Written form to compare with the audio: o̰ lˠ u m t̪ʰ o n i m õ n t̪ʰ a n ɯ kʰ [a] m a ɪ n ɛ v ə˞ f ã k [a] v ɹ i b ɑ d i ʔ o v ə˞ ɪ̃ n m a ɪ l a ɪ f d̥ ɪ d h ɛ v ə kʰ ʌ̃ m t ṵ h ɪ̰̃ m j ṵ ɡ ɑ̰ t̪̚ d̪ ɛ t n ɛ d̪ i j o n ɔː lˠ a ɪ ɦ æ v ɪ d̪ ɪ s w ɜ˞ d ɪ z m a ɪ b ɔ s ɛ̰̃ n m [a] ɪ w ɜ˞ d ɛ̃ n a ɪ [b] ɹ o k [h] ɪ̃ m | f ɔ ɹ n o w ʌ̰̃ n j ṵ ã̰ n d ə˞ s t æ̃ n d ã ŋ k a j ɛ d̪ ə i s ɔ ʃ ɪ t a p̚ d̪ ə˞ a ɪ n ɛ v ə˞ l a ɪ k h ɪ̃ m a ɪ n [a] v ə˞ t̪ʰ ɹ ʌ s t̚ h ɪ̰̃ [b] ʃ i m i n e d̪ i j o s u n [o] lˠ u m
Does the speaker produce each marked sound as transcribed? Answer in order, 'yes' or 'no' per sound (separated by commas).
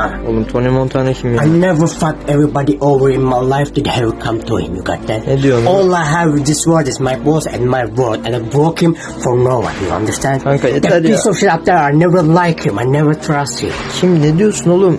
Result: no, no, yes, yes, yes, no, no, yes